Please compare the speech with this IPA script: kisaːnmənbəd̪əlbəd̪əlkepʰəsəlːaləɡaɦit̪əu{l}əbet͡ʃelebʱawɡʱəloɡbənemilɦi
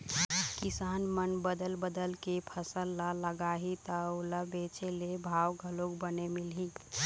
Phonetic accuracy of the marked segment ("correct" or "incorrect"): correct